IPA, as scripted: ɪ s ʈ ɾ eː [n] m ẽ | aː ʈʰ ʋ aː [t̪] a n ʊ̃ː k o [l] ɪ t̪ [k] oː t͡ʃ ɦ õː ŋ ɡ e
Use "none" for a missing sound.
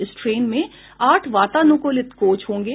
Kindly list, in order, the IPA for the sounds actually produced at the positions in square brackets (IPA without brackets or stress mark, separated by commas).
n, t̪, l, k